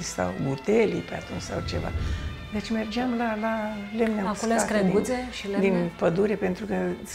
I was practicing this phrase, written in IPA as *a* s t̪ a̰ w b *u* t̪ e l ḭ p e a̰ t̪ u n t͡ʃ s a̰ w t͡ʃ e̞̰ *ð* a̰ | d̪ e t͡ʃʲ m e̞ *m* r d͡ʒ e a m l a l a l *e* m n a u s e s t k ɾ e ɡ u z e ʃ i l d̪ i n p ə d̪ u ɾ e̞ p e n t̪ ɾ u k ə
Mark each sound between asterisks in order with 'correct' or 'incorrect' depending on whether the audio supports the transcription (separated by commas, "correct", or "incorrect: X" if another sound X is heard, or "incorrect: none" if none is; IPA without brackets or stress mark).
incorrect: i, correct, incorrect: v, incorrect: none, correct